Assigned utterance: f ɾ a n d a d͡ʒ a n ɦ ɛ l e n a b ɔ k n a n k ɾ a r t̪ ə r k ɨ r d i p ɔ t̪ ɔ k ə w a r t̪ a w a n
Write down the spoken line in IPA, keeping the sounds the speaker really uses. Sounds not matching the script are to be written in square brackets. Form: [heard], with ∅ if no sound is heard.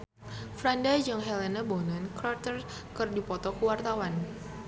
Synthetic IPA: f ɾ a n d a d͡ʒ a [ŋ] ɦ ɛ l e n a b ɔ [∅] n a n k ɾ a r t̪ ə r k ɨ r d i p ɔ t̪ ɔ k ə w a r t̪ a w a n